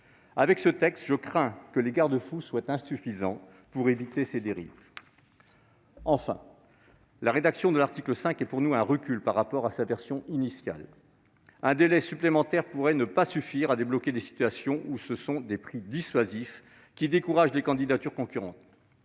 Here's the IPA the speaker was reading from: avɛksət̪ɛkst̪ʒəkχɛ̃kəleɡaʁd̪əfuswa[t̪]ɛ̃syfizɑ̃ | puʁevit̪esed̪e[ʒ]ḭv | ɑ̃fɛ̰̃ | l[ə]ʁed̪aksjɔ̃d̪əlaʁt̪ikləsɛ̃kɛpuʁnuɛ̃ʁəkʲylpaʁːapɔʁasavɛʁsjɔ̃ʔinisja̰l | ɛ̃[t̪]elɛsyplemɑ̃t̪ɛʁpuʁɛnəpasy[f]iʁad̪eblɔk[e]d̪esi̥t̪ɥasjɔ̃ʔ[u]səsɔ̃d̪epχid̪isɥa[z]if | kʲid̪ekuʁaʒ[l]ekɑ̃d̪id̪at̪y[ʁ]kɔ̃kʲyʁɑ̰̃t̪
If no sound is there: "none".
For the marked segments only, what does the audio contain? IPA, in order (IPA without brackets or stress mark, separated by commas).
t̪, ʁ, a, d̪, f, e, u, z, l, ʁ